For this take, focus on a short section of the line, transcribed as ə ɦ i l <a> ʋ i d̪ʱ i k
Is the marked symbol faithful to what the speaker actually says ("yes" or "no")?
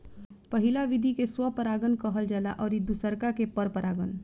yes